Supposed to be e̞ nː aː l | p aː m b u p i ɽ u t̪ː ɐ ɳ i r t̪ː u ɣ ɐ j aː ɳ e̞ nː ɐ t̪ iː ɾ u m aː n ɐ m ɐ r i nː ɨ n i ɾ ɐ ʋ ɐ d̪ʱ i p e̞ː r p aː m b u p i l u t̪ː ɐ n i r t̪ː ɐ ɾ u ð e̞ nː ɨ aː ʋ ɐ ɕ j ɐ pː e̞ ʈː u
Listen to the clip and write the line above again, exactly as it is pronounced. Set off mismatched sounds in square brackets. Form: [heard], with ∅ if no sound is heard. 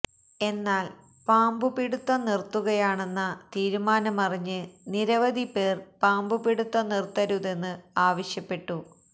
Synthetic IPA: e̞ nː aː l | p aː m b u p i ɽ u t̪ː ɐ [n] i r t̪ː u ɣ ɐ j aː ɳ e̞ nː ɐ t̪ iː ɾ u m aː n ɐ m ɐ r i [ɲː] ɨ n i ɾ ɐ ʋ ɐ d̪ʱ i p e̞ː r p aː m b u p i [ɽ] u t̪ː ɐ n i r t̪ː ɐ ɾ u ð e̞ nː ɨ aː ʋ ɐ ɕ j ɐ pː e̞ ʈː u